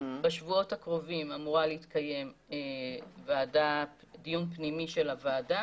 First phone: b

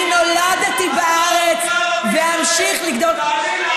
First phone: n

